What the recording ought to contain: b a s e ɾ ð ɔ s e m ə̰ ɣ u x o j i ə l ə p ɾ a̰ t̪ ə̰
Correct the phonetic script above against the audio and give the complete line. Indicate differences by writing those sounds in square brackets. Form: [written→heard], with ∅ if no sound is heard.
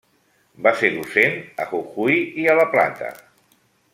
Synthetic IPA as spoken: b a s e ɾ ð [ɔ→u] s e [m→n] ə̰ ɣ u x [o→u] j i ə l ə p [ɾ→l] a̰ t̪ ə̰